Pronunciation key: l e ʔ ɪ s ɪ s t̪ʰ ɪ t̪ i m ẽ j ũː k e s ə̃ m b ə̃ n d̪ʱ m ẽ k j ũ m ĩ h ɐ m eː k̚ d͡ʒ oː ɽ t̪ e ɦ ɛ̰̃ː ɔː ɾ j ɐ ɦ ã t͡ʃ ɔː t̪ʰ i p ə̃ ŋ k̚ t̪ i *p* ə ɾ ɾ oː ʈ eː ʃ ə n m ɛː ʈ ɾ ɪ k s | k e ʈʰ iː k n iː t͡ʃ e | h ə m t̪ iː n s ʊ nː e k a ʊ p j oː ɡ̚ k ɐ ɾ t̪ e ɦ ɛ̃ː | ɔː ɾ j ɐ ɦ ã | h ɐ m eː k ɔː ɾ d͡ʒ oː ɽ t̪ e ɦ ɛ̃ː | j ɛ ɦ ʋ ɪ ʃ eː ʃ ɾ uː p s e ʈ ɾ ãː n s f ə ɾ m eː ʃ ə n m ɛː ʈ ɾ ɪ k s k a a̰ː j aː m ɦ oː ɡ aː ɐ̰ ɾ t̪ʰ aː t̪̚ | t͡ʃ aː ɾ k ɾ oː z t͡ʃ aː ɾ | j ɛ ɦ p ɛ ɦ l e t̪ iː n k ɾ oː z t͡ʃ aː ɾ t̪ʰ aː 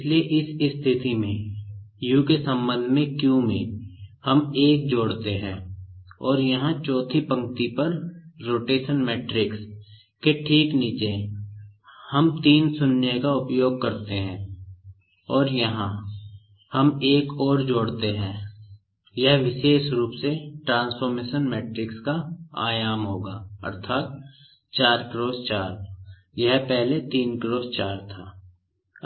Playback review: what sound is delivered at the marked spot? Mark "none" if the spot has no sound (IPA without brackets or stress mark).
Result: p